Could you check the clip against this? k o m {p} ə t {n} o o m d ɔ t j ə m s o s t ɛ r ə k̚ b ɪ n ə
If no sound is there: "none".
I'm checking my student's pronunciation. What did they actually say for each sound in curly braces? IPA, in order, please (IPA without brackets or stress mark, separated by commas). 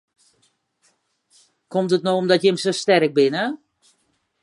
t, n